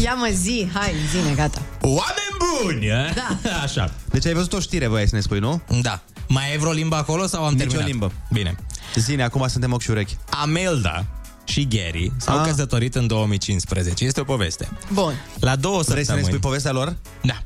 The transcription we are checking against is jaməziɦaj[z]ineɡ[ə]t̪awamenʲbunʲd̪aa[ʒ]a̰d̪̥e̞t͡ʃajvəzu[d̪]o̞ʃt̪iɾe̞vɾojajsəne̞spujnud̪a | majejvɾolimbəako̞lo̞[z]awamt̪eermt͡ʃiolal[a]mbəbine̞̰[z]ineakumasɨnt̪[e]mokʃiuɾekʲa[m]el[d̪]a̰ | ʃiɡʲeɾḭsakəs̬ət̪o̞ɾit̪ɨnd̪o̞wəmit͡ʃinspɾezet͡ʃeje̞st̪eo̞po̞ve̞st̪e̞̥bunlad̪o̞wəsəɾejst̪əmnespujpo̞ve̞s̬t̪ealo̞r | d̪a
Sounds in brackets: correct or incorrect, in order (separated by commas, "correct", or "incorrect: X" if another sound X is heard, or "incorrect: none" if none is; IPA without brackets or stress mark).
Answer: correct, incorrect: a, incorrect: ʃ, incorrect: t̪, incorrect: s, incorrect: i, correct, correct, correct, correct